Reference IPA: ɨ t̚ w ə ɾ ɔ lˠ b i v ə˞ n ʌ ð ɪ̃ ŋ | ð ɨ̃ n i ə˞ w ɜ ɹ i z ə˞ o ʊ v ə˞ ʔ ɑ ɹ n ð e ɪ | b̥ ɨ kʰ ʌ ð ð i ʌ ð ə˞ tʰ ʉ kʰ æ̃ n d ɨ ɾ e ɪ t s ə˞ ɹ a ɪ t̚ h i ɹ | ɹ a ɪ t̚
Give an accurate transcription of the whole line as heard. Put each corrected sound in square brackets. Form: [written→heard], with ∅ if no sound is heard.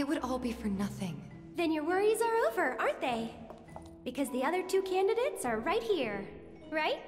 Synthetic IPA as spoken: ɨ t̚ w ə ɾ ɔ lˠ b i [v→f] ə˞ n ʌ [ð→θ] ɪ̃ ŋ | ð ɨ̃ n [i→j] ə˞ w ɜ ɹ i z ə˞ o ʊ v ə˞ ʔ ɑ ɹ n ð e ɪ | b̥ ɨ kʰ ʌ [ð→z] ð i ʌ ð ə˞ tʰ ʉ kʰ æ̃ n d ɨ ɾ e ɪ t s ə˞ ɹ a ɪ t̚ h i ɹ | ɹ a ɪ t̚

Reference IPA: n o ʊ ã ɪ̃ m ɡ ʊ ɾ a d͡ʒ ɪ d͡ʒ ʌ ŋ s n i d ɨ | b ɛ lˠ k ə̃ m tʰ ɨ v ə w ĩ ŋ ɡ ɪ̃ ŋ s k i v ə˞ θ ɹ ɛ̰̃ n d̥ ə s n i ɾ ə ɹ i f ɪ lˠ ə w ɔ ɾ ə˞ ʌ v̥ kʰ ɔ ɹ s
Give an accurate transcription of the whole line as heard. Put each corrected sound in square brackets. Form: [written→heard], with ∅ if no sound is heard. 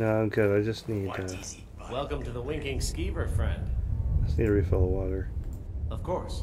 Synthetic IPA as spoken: n o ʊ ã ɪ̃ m ɡ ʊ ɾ a [d͡ʒ→∅] ɪ d͡ʒ ʌ [ŋ→∅] s n i d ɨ | [b→w] ɛ lˠ k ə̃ m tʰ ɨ [v→ð] ə w [ĩ→ɪ̃] ŋ [ɡ→k] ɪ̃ ŋ s k i v ə˞ [θ→f] ɹ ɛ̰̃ n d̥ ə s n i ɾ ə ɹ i f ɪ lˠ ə w ɔ ɾ ə˞ ʌ v̥ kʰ ɔ ɹ s

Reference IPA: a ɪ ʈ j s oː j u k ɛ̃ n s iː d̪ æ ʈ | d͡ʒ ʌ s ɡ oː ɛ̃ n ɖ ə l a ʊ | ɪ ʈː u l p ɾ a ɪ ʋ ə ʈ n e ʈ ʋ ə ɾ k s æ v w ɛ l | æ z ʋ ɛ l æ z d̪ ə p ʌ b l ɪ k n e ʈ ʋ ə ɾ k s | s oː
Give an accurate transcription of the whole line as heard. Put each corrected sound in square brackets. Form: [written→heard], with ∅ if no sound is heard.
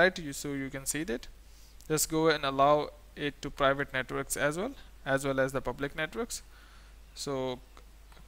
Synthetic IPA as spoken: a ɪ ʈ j s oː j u k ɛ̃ n s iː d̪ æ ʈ | d͡ʒ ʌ s ɡ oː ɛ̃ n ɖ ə l a ʊ | ɪ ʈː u [l→∅] p ɾ a ɪ ʋ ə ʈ n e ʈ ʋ ə ɾ k s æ [v→z] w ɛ l | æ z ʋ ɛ l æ z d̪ ə p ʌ b l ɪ k n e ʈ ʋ ə ɾ k s | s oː

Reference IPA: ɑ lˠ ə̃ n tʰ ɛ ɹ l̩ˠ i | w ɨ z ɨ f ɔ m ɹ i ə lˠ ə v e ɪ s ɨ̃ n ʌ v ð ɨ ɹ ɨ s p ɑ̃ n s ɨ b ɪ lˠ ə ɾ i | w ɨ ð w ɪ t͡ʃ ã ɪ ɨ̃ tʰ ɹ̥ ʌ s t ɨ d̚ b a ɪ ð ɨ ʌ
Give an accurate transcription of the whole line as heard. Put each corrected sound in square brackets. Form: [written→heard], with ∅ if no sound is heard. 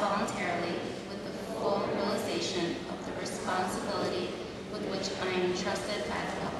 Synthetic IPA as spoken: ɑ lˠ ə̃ n tʰ ɛ ɹ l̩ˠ i | w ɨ [z→ð] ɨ f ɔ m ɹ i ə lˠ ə [v→z] e ɪ [s→ʃ] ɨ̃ n ʌ v ð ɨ ɹ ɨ s p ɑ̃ n s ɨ b ɪ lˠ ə ɾ i | w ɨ ð w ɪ t͡ʃ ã ɪ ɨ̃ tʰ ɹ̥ ʌ s t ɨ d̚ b a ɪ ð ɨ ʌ

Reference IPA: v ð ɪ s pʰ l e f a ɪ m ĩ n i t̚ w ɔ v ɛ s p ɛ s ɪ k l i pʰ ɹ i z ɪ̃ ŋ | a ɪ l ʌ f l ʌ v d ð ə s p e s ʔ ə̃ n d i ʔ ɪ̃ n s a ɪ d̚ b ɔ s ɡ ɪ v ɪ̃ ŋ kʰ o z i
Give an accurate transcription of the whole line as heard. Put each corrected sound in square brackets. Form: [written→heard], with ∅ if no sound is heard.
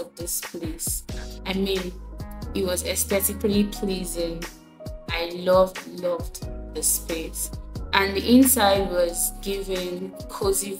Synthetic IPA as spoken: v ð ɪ s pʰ l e [f→s] a ɪ m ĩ n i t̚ w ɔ [v→z] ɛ s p ɛ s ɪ k l i pʰ [ɹ→l] i z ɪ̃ ŋ | a ɪ l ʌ [f→v] l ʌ v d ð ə s p e s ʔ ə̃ n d i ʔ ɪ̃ n s a ɪ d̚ [b→w] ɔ [s→z] ɡ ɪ v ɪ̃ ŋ kʰ o z i

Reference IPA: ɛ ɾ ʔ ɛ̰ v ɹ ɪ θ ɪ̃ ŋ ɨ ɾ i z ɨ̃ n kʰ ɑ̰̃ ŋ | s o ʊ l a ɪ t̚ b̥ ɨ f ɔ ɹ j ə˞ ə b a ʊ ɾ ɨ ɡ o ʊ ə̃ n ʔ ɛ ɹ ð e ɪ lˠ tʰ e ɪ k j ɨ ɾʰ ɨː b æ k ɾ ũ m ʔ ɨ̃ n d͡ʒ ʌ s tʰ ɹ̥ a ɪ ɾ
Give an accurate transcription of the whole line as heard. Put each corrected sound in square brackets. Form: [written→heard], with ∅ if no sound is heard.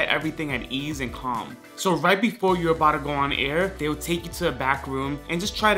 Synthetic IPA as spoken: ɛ ɾ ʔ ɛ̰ v ɹ [ɪ→i] θ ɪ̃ ŋ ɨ ɾ i z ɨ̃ n kʰ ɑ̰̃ [ŋ→m] | s o ʊ [l→ɹ] a ɪ t̚ b̥ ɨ f ɔ ɹ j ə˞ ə b a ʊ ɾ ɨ ɡ o ʊ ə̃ n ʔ ɛ ɹ ð e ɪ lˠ tʰ e ɪ k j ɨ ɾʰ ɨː b æ k [ɾ→ɹ] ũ m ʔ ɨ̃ n d͡ʒ ʌ s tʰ ɹ̥ a ɪ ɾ

